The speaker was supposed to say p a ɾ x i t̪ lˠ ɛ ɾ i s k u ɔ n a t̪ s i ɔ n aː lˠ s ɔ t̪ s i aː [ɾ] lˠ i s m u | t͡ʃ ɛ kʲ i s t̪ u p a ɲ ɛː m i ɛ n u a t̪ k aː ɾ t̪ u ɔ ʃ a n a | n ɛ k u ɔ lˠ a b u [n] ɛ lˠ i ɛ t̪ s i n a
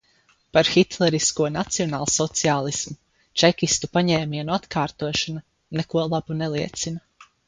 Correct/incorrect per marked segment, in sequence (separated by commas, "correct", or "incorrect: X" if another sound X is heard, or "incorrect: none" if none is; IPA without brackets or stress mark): incorrect: none, correct